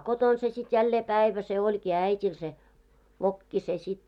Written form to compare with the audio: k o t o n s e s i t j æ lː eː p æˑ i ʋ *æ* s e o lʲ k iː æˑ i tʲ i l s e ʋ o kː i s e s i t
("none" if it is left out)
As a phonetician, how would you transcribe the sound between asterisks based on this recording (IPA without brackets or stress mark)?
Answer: æ